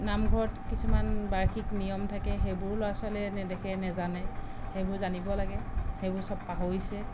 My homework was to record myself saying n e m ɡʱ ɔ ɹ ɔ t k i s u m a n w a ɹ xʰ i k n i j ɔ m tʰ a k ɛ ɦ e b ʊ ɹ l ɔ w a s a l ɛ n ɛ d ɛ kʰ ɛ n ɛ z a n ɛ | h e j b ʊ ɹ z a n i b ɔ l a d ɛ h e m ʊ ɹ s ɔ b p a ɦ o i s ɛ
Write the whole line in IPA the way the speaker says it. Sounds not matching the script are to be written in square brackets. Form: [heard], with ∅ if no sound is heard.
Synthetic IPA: n [a] m ɡʱ ɔ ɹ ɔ t k i s u m a n [b] a ɹ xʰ i k n i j ɔ m tʰ a k ɛ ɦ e b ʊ ɹ l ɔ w a s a l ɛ n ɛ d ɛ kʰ ɛ n ɛ z a n ɛ | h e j b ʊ ɹ z a n i b ɔ l a [ɡ] ɛ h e [b] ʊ ɹ s ɔ b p a ɦ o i s ɛ